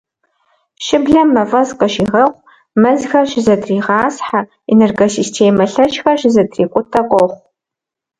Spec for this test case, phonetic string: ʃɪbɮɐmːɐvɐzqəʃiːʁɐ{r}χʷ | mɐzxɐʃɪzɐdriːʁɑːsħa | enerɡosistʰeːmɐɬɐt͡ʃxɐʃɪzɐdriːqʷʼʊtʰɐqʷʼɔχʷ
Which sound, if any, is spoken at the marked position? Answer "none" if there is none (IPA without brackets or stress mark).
none